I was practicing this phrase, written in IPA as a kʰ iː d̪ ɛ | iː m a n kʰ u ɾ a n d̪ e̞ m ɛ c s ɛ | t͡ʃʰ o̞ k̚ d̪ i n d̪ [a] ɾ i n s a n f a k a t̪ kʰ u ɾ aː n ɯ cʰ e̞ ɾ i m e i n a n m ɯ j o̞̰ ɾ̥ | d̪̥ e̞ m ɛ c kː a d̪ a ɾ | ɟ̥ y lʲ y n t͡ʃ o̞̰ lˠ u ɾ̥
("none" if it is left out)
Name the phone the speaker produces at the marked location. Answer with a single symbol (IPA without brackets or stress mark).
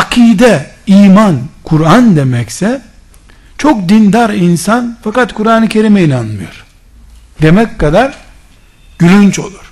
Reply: a